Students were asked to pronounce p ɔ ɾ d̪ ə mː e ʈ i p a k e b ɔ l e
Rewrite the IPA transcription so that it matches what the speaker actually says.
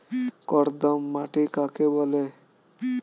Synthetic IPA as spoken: k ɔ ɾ d̪ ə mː a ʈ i k a k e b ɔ l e

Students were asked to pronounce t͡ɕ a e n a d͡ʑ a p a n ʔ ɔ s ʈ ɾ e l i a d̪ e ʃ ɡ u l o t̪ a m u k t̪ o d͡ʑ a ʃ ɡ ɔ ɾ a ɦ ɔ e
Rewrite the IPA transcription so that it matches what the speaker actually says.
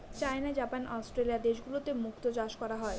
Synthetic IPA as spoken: t͡ɕ a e n a d͡ʑ a p a n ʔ ɔ s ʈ ɾ e l i a d̪ e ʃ ɡ u l o t̪ e m u k t̪ o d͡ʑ a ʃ k ɔ ɾ a ɦ ɔ e

